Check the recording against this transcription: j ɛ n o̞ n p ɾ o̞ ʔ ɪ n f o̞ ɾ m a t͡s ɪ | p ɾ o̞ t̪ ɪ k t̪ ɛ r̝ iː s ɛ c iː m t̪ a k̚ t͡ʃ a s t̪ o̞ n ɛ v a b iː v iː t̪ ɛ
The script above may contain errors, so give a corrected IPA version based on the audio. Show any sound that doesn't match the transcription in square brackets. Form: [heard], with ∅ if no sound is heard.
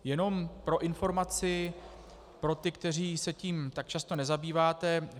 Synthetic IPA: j ɛ n o̞ [m] p ɾ o̞ ʔ ɪ n f o̞ ɾ m a t͡s ɪ | p ɾ o̞ t̪ ɪ k t̪ ɛ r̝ iː s ɛ c iː m t̪ a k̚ t͡ʃ a s t̪ o̞ n ɛ [z] a b iː v [aː] t̪ ɛ